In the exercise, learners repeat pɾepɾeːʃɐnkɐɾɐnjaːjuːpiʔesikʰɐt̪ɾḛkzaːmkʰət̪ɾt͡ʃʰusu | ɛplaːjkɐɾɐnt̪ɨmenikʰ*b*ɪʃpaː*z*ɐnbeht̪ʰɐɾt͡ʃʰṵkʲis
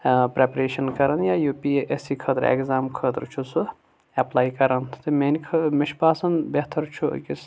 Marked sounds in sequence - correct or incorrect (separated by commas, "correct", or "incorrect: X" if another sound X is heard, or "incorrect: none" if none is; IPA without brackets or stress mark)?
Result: incorrect: m, incorrect: s